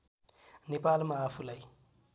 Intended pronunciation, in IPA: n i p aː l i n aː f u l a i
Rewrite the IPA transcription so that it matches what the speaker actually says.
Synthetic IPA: n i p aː l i m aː f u l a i